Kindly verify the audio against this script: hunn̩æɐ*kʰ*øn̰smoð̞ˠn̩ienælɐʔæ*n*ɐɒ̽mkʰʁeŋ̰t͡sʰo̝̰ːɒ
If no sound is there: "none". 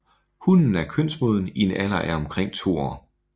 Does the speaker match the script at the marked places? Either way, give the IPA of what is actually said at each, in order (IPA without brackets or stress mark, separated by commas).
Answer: kʰ, none